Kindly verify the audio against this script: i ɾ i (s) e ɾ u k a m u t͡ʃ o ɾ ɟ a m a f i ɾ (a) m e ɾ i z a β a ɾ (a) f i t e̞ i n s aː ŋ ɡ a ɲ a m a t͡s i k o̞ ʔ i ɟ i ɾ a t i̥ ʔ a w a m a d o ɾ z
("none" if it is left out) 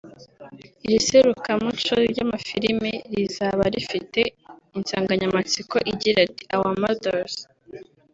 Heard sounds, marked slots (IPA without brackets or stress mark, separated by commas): s, i, i